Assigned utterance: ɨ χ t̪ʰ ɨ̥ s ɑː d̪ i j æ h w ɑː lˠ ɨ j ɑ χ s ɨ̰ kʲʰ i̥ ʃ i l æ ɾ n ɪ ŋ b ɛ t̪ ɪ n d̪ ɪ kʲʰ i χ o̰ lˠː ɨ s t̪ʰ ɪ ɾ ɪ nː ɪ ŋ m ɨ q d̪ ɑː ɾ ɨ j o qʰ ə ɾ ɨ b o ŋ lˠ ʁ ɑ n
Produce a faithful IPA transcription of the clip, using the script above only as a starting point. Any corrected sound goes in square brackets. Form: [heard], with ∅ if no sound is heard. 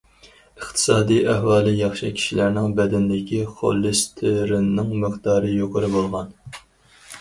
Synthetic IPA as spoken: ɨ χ t̪ʰ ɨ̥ s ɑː d̪ i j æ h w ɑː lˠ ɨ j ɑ χ [ʃ] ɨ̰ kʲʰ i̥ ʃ i l æ ɾ n ɪ ŋ b ɛ [d̪] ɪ n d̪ ɪ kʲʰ i χ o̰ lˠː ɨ s t̪ʰ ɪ ɾ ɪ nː ɪ ŋ m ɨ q d̪ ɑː ɾ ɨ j o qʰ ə ɾ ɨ b o [∅] lˠ ʁ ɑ n